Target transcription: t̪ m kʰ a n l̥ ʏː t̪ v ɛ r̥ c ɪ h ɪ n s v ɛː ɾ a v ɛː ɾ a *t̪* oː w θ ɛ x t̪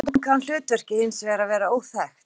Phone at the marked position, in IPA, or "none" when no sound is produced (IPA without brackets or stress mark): none